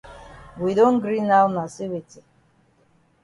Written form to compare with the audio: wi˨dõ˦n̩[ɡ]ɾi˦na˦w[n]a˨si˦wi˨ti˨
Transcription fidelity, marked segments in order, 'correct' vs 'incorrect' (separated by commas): correct, correct